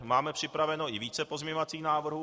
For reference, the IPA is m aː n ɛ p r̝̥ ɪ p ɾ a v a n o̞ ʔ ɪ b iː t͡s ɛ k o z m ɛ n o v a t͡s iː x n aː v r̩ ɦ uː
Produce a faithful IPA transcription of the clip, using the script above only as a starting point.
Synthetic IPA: m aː m ɛ p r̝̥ ɪ p ɾ a v ɛ n o̞ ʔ ɪ v iː t͡s ɛ p o z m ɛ ɲ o v a t͡s iː x n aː v r̩ ɦ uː